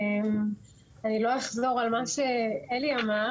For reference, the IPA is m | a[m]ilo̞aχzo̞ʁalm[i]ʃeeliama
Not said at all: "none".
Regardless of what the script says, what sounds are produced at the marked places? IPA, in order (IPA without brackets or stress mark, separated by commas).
n, a